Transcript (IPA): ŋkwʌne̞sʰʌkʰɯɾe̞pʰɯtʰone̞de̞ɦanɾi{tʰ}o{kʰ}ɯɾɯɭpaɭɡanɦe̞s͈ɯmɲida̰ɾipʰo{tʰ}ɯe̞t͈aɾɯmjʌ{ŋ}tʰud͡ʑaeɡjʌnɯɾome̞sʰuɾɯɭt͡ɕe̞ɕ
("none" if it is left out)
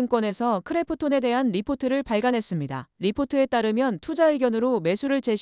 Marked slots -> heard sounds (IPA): pʰ, tʰ, tʰ, n

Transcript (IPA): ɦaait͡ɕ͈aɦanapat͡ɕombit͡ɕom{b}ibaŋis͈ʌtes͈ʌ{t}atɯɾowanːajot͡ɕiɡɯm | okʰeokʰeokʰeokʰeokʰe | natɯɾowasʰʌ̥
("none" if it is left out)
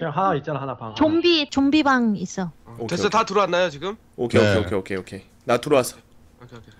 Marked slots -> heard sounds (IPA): b, t

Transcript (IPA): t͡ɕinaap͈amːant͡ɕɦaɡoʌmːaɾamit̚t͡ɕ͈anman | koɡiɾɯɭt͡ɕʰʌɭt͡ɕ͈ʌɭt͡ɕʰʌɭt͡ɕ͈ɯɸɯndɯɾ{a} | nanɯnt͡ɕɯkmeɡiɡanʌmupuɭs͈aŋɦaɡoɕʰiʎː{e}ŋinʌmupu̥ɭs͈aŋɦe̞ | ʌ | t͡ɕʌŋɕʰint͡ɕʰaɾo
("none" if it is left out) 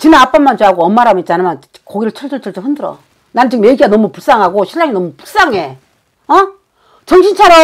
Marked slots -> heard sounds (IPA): ʌ, a

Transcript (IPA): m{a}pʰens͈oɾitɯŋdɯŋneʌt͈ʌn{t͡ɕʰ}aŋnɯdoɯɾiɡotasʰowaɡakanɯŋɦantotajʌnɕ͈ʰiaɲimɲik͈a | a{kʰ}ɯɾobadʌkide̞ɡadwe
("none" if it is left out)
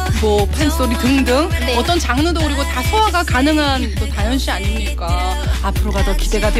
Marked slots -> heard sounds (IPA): ʌ, t͡ɕ, pʰ

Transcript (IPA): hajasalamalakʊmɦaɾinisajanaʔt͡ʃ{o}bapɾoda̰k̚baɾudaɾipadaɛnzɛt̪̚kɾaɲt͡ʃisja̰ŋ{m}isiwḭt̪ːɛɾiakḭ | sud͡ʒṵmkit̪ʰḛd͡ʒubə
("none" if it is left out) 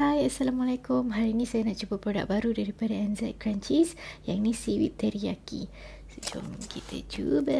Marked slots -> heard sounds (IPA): u, n

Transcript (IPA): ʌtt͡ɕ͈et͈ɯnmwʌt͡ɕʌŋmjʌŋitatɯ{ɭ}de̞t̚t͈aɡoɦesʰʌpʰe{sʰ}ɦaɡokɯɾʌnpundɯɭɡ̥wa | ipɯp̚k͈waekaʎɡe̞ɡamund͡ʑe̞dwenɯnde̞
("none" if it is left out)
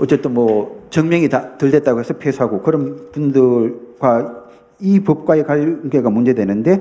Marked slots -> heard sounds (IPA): ɭ, sʰ

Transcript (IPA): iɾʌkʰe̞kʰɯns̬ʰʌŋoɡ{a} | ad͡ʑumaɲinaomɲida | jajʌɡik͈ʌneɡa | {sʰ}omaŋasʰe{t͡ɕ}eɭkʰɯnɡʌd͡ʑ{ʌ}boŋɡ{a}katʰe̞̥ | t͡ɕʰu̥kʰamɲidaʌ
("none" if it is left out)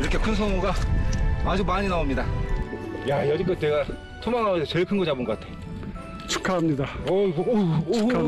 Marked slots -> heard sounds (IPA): a, tʰ, t͡ɕ, a, ʌ

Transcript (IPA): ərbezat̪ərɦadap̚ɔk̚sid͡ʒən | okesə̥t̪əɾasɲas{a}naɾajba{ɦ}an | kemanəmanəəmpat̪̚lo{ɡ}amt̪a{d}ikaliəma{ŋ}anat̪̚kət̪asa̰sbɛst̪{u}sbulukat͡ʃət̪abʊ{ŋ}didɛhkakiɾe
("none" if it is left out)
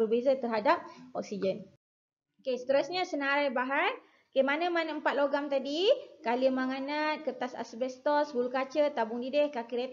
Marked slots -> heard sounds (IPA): ə, ɦ, ɡ, d, ŋ, ɔ, ŋ

